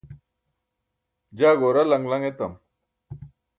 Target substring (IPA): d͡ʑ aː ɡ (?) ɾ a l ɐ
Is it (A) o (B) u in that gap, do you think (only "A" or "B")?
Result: A